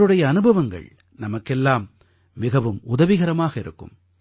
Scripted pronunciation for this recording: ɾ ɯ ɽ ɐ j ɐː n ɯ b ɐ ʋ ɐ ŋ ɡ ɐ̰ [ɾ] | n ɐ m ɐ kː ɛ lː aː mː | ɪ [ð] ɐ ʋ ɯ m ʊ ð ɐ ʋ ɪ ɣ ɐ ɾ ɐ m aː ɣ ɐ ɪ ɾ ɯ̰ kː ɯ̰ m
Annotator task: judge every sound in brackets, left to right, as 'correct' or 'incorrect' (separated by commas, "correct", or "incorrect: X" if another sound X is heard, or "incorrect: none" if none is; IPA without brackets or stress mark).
incorrect: ɭ, incorrect: ɣ